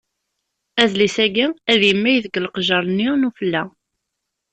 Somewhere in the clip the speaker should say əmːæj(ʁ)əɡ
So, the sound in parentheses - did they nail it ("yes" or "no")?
no